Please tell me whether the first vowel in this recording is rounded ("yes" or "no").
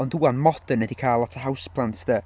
yes